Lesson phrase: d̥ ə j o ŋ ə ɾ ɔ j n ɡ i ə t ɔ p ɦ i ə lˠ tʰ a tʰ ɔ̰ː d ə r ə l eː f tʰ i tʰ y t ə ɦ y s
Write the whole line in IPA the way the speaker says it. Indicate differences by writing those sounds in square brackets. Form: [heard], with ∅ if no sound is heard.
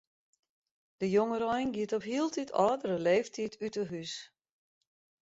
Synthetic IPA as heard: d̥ ə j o ŋ ə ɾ ɔ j n ɡ i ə t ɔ p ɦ i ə lˠ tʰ [i] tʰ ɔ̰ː d ə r ə l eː f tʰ i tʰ y t ə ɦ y s